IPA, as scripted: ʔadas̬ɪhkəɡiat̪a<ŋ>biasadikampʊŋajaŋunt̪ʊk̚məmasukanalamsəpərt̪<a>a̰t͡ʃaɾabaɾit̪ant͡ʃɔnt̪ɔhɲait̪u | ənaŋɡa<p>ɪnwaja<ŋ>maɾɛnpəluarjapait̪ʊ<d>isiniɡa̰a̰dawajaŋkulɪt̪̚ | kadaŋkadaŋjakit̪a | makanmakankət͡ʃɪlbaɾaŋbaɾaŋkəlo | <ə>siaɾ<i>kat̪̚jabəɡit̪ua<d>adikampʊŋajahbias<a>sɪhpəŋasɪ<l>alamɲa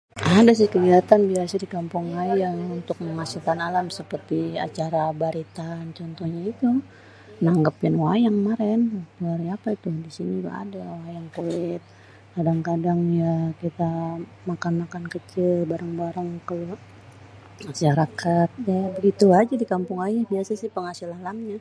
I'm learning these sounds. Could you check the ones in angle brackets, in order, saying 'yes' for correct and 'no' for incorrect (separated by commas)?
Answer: no, no, yes, yes, yes, no, no, no, yes, yes